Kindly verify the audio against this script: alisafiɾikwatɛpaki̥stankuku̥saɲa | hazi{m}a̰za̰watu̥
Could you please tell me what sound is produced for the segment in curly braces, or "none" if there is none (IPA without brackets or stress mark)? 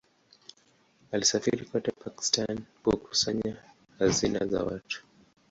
n